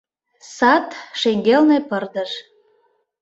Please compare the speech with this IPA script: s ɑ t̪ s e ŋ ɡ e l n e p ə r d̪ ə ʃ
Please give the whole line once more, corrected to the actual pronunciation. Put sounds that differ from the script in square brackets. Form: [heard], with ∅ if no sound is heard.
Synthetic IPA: s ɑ t̪ [ʃ] e ŋ ɡ e l n e p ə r d̪ ə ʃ